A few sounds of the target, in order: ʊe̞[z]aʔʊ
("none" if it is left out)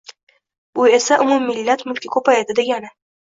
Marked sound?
s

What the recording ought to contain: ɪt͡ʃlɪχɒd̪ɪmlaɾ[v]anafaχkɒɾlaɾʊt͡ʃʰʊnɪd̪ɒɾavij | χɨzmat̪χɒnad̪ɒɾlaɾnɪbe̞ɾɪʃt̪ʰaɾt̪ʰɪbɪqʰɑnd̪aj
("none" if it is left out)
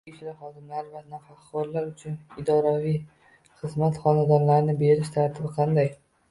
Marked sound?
v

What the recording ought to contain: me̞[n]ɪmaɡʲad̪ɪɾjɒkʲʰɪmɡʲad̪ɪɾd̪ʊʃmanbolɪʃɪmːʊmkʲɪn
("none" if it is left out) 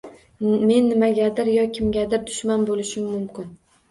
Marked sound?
nː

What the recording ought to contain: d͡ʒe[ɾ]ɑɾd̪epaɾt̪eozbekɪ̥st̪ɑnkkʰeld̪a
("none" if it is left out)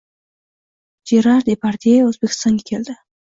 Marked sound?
ɾ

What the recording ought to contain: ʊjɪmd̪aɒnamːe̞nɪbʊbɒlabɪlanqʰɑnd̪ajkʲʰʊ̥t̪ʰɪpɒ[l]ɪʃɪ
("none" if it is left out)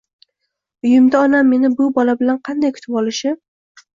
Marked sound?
l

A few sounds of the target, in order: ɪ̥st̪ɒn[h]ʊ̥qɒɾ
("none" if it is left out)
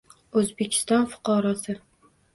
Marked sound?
f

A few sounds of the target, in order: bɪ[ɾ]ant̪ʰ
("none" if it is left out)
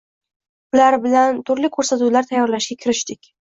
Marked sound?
l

